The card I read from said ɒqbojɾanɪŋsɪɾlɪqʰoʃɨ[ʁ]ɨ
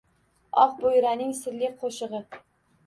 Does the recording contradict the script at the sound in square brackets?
no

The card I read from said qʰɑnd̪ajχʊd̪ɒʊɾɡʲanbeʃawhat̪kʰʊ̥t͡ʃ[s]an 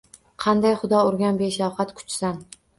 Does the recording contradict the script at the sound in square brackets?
no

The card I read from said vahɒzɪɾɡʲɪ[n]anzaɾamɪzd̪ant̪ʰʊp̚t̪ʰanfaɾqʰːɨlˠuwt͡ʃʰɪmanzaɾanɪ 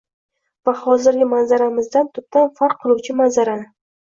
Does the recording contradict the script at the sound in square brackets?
yes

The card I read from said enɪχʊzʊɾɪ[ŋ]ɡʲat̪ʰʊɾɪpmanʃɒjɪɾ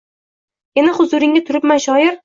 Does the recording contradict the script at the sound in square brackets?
no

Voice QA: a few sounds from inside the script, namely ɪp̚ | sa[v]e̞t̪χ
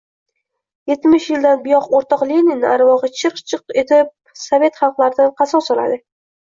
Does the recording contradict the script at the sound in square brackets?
no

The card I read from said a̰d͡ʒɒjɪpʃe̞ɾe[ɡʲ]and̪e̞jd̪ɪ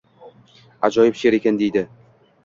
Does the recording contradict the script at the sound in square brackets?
yes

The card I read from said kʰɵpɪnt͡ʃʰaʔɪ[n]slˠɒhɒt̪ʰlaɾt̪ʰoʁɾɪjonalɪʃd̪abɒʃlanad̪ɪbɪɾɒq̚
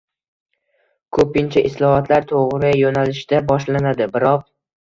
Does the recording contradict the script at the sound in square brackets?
yes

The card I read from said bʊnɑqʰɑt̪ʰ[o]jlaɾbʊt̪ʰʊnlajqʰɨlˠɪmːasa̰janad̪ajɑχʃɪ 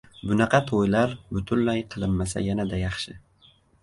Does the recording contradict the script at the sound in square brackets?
no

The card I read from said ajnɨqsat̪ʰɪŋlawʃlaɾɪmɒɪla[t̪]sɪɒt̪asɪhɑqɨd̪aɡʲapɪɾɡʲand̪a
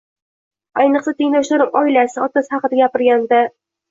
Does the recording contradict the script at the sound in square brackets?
yes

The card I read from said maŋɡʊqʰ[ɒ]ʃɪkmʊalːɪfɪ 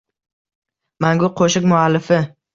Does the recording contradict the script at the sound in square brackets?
yes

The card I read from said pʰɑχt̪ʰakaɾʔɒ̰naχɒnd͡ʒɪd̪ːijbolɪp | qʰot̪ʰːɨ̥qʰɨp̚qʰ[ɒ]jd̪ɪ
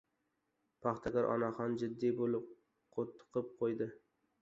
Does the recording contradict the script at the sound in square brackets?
yes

